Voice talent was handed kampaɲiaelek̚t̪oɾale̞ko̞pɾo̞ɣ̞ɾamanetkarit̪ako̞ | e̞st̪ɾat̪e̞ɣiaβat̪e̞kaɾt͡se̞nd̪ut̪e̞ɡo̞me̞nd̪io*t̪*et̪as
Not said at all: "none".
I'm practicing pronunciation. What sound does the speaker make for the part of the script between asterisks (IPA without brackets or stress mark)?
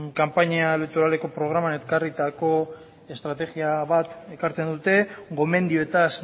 none